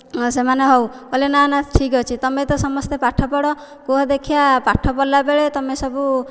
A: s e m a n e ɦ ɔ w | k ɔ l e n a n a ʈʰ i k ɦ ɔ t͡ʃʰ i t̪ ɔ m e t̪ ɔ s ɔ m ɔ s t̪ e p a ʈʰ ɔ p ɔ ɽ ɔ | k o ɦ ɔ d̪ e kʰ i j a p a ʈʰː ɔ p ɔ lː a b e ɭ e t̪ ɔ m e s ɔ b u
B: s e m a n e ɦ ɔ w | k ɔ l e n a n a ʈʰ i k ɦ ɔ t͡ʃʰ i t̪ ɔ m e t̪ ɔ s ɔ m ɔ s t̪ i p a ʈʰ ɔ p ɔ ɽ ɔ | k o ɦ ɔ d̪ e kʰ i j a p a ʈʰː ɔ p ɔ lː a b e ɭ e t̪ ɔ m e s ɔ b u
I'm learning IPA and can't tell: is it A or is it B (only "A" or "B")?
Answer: A